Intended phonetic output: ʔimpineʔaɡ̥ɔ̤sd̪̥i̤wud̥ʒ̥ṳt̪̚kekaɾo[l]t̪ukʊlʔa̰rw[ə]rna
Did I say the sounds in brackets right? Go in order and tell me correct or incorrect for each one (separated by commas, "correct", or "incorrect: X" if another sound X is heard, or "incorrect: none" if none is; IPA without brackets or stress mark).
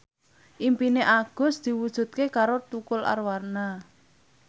incorrect: none, incorrect: a